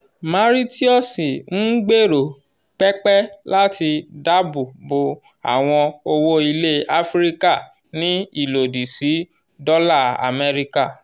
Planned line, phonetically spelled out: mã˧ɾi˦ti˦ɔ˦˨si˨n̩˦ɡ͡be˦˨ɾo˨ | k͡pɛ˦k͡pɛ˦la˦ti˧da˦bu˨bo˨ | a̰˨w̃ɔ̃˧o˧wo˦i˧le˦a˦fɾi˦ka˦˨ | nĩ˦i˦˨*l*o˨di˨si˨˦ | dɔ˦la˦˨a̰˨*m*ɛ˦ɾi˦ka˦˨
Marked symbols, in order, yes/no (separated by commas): yes, yes